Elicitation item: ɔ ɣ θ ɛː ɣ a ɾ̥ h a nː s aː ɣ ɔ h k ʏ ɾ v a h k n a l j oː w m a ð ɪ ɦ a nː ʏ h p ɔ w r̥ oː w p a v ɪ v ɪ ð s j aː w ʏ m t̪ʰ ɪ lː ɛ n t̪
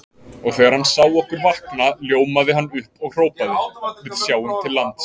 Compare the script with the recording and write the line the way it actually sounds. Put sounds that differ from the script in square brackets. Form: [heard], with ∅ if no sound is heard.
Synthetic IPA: ɔ ɣ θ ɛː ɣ a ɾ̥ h a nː s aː [w] ɔ h k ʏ ɾ v a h k n a l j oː w m a ð ɪ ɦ a nː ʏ h p ɔ [ɣ] r̥ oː w p a [ð] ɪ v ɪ ð s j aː w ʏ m t̪ʰ ɪ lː [a] n t̪